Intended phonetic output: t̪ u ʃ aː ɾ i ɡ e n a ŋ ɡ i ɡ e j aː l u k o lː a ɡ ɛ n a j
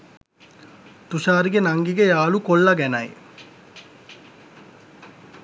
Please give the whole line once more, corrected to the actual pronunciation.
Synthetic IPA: t̪ u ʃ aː ɾ i ɡ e n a ŋ ɡ i ɡ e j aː l u k o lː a ɡ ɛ n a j